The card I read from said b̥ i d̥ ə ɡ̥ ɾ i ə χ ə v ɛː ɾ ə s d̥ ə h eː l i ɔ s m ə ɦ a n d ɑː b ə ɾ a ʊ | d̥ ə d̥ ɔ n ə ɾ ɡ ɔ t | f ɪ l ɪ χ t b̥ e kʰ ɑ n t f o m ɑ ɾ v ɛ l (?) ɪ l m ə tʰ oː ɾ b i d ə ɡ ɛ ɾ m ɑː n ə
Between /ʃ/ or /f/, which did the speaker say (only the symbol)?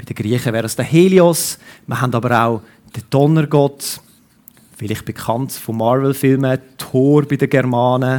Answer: f